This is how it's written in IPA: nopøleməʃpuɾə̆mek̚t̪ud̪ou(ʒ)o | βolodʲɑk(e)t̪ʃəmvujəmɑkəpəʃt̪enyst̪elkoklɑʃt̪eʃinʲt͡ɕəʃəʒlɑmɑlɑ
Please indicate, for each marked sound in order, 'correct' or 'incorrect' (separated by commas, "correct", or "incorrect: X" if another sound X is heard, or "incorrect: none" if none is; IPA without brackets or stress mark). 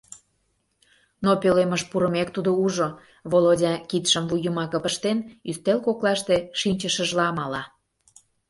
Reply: correct, incorrect: i